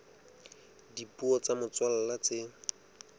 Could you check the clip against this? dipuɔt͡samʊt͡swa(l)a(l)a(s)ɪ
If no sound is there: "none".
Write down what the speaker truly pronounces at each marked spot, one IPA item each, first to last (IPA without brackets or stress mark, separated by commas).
l, l, t͡s